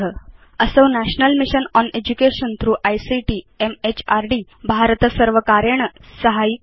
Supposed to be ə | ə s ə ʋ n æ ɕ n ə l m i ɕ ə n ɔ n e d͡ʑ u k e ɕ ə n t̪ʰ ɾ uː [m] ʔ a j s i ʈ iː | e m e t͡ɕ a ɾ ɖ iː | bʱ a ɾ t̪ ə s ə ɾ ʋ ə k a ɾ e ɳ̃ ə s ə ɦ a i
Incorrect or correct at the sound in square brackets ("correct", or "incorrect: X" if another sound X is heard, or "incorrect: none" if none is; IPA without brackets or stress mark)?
incorrect: none